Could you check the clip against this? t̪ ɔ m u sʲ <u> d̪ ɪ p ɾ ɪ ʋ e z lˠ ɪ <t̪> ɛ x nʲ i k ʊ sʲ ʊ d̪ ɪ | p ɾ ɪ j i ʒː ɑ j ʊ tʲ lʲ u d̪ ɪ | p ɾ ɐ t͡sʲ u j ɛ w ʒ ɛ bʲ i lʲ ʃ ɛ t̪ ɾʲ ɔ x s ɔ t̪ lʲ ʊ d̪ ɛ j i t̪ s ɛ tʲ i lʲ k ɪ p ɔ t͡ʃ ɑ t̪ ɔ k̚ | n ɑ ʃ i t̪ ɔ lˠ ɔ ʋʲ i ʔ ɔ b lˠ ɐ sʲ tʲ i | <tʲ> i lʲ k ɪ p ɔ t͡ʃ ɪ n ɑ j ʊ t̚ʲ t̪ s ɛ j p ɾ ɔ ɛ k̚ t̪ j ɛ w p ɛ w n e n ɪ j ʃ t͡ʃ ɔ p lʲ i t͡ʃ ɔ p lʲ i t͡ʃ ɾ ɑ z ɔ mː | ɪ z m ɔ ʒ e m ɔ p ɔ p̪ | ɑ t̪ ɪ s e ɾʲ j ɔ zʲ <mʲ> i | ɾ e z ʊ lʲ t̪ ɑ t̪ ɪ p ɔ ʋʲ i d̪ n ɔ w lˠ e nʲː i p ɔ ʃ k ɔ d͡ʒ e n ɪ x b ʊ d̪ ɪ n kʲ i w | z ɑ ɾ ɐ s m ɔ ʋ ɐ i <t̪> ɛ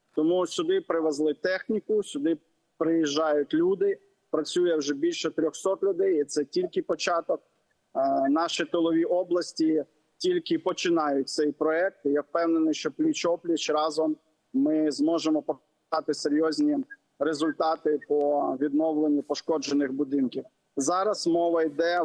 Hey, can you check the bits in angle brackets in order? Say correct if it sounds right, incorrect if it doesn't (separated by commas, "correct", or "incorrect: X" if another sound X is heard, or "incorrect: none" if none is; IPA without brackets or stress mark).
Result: incorrect: ʊ, correct, correct, incorrect: nʲ, incorrect: d̪